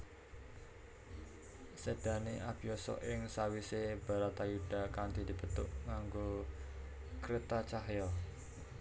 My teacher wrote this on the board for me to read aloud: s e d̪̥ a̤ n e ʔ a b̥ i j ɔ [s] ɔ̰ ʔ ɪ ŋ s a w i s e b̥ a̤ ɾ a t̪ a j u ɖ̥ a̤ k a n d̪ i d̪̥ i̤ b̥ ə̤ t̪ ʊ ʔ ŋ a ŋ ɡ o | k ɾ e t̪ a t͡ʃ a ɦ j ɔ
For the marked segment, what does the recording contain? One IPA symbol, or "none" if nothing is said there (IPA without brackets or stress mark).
s